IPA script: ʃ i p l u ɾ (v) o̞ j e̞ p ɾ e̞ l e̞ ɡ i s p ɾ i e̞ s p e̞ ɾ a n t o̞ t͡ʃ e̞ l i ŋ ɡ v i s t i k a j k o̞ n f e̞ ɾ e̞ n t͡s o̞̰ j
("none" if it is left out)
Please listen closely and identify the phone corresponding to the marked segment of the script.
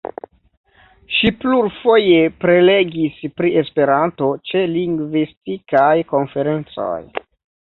f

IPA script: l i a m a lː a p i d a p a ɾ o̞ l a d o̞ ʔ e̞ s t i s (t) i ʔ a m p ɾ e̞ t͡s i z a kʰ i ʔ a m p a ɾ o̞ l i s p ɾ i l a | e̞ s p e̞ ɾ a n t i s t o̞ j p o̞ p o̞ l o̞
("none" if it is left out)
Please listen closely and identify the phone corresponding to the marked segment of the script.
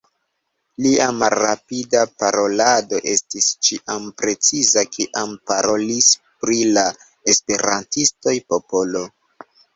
t͡ʃ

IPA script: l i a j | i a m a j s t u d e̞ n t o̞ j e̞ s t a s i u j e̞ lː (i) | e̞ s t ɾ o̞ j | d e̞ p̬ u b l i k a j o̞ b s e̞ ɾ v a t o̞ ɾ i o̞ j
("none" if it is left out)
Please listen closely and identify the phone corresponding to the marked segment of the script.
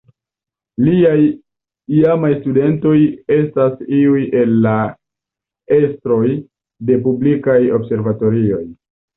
a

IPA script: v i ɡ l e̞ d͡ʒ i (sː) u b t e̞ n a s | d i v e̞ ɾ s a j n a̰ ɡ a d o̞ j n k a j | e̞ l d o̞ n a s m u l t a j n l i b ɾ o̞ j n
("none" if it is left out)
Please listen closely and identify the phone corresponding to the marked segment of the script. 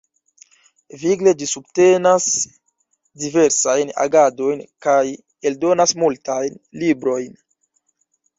s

